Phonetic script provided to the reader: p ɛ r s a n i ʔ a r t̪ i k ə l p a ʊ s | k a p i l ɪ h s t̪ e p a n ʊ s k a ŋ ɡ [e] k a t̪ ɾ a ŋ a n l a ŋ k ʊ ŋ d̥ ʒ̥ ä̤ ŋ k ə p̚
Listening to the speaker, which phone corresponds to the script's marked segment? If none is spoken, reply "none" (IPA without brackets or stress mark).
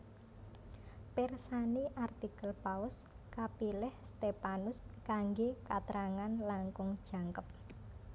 e